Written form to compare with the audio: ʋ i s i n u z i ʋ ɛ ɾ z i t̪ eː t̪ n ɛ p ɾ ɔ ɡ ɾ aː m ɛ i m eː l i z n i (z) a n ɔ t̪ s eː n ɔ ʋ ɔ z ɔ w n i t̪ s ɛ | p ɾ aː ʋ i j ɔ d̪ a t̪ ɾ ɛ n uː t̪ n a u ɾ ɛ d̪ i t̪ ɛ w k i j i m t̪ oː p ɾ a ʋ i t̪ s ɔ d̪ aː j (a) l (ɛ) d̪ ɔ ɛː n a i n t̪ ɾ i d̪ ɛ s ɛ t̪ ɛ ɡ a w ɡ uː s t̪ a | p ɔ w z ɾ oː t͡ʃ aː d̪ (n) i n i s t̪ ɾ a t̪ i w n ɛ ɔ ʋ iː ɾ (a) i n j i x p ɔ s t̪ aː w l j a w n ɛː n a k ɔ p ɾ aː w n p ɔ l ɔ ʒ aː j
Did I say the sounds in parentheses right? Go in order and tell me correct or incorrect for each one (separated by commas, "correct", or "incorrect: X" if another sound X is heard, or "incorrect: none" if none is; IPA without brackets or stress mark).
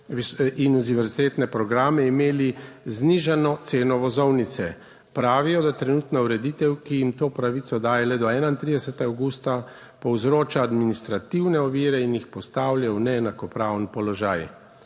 incorrect: ʒ, incorrect: ɛ, correct, incorrect: m, incorrect: ɛ